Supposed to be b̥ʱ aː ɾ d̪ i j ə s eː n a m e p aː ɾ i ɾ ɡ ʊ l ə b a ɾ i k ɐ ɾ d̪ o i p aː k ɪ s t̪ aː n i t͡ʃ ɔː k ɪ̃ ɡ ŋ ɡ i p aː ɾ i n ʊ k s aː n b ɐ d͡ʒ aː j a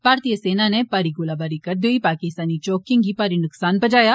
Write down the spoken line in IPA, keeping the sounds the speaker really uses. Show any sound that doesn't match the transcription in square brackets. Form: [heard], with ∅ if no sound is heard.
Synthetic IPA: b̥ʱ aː ɾ [t̪] i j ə s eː n a [n] e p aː ɾ i [∅] ɡ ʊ l [a] b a ɾ i k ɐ ɾ d̪ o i p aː k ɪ s t̪ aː n i t͡ʃ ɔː k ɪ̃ [∅] ŋ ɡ i p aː ɾ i n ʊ k s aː n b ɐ d͡ʒ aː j a